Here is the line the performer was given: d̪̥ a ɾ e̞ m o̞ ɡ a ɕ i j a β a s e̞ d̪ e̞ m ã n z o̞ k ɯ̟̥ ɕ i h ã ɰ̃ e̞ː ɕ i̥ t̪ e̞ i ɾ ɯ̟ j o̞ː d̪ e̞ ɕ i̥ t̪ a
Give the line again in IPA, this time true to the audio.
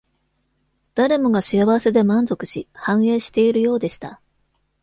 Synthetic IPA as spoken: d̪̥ a ɾ e̞ m o̞ ɡ a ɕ i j a β a s e̞ d̪ e̞ m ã n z o̞ k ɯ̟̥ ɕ i h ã ɰ̃ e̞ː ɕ i̥ t̪ e̞ i ɾ ɯ̟ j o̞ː d̪ e̞ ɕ i̥ t̪ a